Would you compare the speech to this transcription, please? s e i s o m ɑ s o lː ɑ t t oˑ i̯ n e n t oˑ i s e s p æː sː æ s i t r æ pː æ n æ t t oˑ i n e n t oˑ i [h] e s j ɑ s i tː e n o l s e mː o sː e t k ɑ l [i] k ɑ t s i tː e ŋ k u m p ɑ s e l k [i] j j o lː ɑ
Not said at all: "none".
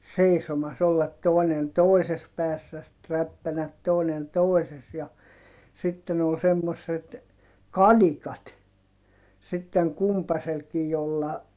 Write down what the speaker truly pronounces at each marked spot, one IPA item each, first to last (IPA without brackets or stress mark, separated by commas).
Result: s, i, i